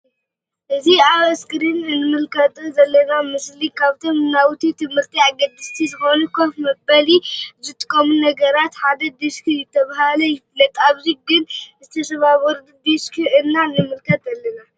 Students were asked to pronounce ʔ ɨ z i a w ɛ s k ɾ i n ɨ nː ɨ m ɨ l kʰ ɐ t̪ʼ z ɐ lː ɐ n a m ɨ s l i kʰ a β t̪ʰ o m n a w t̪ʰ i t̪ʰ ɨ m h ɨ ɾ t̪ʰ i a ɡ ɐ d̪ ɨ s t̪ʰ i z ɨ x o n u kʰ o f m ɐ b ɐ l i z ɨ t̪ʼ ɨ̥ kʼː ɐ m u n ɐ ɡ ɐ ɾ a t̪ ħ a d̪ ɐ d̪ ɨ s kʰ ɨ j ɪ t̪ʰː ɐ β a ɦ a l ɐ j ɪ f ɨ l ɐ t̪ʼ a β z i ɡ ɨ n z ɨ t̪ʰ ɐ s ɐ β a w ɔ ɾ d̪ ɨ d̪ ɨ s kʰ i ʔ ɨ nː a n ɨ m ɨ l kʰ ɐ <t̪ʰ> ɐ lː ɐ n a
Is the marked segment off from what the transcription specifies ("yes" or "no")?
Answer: yes